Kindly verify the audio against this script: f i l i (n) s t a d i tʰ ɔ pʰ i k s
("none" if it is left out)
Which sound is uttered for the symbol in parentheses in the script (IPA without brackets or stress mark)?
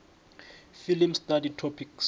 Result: m